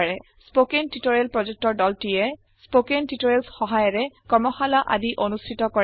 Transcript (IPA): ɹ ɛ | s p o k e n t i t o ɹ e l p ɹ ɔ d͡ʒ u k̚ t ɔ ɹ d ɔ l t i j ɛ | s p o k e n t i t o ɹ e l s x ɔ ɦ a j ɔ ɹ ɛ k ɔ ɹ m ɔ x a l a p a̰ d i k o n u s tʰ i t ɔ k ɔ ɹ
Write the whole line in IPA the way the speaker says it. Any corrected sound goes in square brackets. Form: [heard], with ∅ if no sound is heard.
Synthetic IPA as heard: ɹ ɛ | s p o k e n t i t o ɹ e l p ɹ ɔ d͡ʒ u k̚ t ɔ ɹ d ɔ l t i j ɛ | s p o k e n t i t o ɹ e l s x ɔ ɦ a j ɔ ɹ ɛ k ɔ ɹ m ɔ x a l a [ʔ] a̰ d i [ʔ] o n u s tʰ i t ɔ k ɔ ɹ